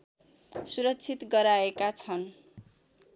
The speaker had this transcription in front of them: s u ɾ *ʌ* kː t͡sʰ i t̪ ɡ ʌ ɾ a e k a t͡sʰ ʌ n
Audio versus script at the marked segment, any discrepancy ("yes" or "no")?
no